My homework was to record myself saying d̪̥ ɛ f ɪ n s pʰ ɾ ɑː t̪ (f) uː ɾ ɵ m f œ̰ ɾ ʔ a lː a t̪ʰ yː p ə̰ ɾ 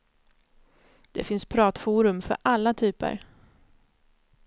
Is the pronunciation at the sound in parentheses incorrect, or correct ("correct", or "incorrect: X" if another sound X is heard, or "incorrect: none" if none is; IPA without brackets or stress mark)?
correct